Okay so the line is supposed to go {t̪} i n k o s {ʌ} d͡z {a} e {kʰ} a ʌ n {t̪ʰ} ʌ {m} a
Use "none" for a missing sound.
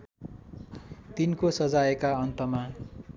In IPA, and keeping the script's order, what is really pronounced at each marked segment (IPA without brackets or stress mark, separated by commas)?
t̪, ʌ, a, k, t̪, m